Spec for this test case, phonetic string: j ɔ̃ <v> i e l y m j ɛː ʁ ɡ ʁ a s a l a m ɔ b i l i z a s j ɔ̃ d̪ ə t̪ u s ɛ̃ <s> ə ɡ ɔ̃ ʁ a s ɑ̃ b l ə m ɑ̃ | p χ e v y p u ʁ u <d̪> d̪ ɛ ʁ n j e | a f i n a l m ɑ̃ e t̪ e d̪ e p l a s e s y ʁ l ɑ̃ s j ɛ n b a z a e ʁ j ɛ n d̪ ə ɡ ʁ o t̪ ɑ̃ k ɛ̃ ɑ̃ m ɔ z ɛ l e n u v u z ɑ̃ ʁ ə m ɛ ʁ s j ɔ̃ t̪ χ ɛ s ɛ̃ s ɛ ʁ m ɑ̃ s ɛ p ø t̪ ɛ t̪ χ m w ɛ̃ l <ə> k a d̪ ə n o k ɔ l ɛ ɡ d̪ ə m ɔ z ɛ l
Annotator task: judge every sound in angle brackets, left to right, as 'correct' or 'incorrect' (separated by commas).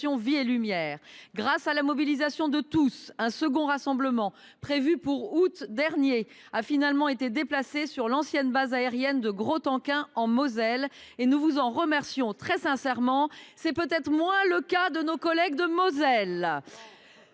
correct, correct, incorrect, correct